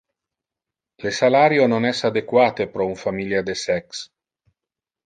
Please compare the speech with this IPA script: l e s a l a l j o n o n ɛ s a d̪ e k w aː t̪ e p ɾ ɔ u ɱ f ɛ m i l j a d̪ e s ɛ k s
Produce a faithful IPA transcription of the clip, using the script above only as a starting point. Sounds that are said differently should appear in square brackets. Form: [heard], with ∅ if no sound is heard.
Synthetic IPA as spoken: l e s a l a [ɾ] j o n o n ɛ s a d̪ e k w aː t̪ e p ɾ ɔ u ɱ f [a] m i l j a d̪ e s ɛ k s